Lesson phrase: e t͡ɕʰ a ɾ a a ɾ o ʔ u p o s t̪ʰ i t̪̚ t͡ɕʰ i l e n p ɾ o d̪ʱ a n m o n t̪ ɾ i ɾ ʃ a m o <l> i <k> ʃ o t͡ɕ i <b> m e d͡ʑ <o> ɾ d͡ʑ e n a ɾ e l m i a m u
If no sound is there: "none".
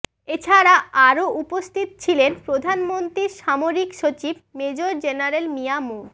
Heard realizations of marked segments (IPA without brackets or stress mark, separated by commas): ɾ, k, b, o